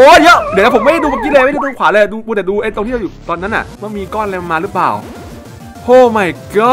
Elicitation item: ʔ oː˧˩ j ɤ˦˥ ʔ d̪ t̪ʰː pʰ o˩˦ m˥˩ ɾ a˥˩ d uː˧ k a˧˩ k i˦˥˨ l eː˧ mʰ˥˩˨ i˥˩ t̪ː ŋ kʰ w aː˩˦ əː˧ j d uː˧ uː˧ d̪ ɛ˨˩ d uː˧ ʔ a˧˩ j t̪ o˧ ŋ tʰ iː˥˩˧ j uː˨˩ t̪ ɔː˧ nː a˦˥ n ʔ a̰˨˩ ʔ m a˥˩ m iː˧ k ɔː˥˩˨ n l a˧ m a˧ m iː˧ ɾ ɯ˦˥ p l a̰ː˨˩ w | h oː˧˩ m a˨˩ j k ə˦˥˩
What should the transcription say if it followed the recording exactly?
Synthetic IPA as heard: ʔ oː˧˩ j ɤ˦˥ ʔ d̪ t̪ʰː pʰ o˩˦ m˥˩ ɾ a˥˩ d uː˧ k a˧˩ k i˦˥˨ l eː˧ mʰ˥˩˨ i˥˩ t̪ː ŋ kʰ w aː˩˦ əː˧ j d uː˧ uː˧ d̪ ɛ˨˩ d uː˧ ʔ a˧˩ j t̪ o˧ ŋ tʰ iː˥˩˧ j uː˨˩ t̪ ɔː˧ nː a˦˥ n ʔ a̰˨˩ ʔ m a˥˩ m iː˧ k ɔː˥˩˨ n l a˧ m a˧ m aː˧ ɾ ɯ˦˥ p l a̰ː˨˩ w | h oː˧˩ m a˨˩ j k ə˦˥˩

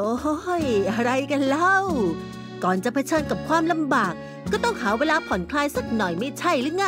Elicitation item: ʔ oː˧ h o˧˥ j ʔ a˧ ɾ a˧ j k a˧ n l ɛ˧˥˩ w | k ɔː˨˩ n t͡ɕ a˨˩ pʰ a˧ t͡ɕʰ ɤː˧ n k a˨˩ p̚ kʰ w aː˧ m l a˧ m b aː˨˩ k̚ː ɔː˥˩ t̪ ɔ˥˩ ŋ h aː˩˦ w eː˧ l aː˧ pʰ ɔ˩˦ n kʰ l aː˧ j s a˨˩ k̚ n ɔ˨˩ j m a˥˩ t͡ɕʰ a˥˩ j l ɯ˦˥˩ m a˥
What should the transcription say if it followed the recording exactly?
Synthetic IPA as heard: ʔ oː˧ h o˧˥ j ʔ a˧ ɾ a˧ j k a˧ n l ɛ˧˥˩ w | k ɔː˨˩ n t͡ɕ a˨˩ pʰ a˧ t͡ɕʰ ɤː˧ n k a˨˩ p̚ kʰ w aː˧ m l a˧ m b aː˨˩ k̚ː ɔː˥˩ t̪ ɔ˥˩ ŋ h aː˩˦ w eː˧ l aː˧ pʰ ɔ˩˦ n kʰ l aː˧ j s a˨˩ k̚ n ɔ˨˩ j m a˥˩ t͡ɕʰ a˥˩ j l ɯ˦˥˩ ŋ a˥

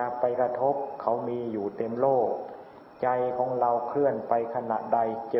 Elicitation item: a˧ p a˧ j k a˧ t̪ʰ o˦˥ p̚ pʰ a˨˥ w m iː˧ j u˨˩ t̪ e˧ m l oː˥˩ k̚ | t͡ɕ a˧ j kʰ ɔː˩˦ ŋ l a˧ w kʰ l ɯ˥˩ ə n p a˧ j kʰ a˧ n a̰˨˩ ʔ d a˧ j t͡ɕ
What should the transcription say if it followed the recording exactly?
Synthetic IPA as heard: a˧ p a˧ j k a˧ t̪ʰ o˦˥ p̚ kʰ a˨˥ w m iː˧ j uː˨˩ t̪ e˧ m l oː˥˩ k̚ | t͡ɕ a˧ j kʰ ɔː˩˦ ŋ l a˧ w kʰ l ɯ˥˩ ə n p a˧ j kʰ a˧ n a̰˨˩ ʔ d a˧ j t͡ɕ

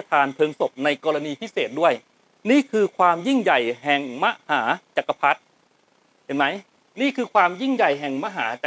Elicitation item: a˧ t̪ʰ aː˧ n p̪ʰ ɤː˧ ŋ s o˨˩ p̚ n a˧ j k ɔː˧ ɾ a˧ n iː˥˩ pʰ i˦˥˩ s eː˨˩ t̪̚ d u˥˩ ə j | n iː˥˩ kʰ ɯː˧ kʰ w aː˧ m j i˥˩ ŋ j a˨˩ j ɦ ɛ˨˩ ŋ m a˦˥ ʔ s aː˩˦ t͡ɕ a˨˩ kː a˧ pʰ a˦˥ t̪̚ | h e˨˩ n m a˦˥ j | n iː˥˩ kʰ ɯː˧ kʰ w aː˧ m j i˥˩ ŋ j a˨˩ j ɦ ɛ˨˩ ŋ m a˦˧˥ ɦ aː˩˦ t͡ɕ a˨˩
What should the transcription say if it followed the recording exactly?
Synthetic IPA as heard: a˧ t̪ʰ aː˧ n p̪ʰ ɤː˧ ŋ s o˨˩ p̚ n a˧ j k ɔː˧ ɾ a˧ n iː˧ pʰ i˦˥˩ s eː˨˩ t̪̚ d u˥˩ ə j | n iː˥˩ kʰ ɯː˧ kʰ w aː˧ m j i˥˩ ŋ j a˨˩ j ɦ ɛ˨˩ ŋ m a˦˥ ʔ h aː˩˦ t͡ɕ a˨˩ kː a˧ pʰ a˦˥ t̪̚ | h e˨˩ n m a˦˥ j | n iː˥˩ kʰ ɯː˧ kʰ w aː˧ m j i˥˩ ŋ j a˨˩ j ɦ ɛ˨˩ ŋ m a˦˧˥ ɦ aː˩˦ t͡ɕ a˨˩

